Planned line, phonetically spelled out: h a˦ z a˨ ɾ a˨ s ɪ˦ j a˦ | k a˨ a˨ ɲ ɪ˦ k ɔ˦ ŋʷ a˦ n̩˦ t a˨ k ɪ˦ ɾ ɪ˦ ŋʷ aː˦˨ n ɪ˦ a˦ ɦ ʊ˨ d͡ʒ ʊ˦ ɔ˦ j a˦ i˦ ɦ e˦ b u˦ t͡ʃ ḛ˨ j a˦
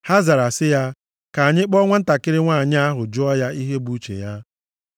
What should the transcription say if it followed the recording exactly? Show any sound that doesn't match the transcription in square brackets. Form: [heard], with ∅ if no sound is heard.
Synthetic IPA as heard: h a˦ z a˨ ɾ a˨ s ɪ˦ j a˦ | k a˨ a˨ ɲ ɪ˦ [k͡p] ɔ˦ ŋʷ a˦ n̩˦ t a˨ k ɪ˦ ɾ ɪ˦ ŋʷ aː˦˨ [ɲ] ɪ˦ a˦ ɦ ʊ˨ d͡ʒ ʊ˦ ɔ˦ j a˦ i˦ ɦ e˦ b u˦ t͡ʃ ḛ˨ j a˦